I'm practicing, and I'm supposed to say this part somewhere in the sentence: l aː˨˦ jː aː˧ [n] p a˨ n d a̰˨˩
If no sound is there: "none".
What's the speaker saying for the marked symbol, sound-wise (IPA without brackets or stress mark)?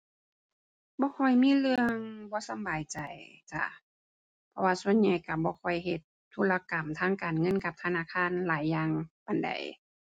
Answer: ŋ